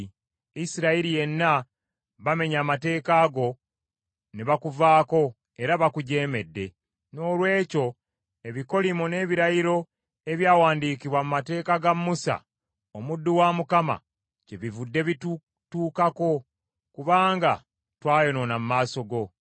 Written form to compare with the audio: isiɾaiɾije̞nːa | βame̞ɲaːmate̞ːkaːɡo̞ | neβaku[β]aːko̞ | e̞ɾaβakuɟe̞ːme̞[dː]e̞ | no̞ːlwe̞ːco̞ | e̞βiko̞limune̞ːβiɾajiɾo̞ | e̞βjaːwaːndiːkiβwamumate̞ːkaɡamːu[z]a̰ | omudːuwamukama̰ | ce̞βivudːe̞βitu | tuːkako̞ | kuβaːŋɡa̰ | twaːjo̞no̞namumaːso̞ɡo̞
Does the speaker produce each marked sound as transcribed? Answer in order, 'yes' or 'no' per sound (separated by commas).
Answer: no, yes, no